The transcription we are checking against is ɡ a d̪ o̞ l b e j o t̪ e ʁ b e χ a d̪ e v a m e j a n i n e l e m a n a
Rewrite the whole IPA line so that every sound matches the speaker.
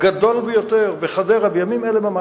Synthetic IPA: ɡ a d̪ o̞ l b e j o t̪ e ʁ b e χ a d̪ e ʁ a b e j a m i m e l e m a m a